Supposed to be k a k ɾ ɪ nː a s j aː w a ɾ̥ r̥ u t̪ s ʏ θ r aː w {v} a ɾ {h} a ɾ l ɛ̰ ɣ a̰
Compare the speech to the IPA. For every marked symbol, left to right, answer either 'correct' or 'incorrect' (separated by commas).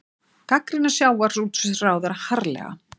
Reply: incorrect, correct